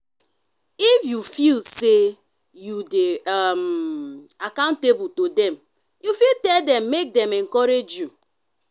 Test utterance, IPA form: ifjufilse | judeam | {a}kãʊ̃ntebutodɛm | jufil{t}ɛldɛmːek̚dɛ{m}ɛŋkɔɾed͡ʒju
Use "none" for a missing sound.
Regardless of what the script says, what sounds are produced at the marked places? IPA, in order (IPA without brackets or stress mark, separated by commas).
a, t, m